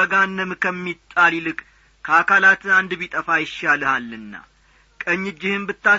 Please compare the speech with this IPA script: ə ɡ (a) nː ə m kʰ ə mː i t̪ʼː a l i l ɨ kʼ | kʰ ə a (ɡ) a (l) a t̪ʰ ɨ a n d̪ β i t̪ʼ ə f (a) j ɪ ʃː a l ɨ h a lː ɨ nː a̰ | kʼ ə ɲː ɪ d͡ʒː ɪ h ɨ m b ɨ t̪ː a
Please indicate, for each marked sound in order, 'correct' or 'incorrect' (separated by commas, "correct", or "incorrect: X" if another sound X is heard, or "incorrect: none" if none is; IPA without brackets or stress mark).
correct, incorrect: k, correct, correct